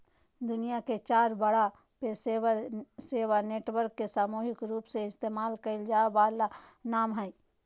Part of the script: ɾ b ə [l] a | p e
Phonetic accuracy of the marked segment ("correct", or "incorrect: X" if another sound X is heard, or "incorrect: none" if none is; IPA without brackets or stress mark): incorrect: ɽ